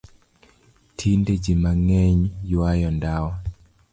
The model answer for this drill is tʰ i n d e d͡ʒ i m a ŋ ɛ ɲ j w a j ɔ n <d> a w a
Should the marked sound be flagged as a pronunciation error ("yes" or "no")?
no